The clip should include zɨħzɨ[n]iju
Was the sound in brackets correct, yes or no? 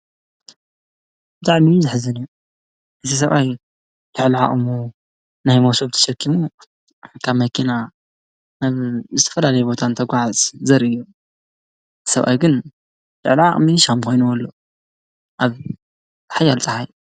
yes